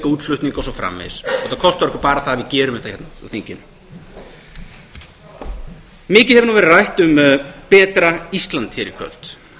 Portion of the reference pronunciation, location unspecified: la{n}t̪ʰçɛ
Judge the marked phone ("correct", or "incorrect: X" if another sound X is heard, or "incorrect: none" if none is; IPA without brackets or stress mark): correct